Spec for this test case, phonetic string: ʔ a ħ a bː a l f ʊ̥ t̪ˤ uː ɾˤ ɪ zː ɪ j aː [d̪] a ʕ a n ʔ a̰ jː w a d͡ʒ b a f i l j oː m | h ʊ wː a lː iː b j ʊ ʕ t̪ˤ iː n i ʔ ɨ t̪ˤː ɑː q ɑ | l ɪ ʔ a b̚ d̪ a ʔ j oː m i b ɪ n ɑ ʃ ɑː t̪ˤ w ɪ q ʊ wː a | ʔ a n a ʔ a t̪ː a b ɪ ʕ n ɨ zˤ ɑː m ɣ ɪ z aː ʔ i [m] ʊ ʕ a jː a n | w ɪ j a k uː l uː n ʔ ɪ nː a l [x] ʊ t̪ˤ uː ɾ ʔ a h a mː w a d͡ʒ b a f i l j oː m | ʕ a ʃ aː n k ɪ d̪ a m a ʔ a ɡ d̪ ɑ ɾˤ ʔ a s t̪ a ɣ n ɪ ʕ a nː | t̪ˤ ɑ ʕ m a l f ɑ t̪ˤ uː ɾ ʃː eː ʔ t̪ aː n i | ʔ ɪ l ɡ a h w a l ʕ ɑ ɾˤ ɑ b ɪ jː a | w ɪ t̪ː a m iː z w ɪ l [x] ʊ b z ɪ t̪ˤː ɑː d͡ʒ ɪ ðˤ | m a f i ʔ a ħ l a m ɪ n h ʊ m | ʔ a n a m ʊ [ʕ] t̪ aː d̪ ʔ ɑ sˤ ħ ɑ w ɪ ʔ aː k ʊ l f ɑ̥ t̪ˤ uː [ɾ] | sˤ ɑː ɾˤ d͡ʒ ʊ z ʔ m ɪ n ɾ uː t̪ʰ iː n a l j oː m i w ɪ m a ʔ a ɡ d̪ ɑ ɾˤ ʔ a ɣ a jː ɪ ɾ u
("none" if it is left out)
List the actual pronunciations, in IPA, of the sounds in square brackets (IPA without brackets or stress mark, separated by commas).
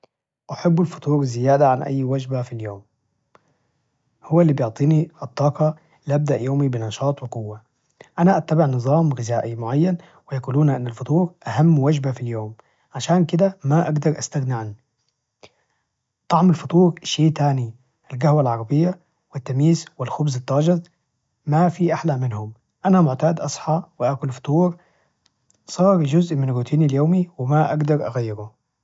d̪, m, f, x, ʕ, ɾ